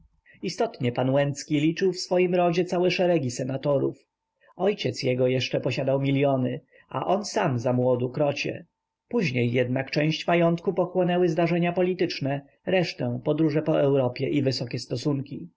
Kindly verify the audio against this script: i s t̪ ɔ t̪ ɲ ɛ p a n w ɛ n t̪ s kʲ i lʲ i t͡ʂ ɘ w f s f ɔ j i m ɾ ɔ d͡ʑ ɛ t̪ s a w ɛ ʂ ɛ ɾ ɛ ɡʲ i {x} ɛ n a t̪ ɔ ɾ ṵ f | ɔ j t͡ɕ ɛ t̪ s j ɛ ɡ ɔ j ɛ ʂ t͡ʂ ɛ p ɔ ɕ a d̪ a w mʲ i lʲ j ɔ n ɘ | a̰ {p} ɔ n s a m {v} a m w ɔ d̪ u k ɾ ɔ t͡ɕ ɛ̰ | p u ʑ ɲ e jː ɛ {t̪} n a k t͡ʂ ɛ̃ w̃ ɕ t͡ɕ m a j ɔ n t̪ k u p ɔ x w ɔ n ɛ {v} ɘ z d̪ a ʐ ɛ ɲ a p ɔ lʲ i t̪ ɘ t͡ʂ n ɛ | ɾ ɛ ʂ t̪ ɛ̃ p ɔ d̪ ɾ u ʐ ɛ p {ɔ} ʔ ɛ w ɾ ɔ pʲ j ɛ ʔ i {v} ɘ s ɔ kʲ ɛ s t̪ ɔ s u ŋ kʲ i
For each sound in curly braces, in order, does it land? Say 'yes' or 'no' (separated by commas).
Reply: no, no, no, no, no, yes, yes